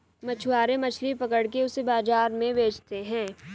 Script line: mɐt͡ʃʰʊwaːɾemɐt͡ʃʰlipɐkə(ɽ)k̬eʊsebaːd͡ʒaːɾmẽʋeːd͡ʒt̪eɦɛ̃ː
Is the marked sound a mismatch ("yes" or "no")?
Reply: no